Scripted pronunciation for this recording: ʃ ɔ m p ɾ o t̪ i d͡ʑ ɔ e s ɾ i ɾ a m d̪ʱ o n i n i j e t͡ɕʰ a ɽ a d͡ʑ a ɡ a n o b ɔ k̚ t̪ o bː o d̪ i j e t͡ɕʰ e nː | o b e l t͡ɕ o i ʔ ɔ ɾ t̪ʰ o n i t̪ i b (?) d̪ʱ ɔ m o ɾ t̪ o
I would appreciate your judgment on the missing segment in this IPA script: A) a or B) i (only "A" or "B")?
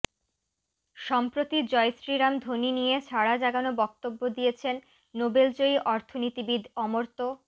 B